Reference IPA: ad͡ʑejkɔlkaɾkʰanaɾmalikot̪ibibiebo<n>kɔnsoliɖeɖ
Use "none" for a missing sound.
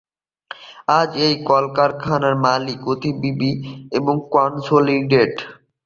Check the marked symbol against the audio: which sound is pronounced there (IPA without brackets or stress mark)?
ŋ